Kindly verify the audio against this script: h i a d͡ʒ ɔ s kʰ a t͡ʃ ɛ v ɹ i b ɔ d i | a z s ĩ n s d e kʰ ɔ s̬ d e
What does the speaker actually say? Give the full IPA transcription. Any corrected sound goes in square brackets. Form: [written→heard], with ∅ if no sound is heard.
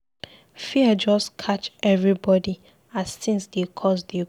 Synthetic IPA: [h→f] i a d͡ʒ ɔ s kʰ a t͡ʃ ɛ v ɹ i b ɔ d i | a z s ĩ n s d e kʰ ɔ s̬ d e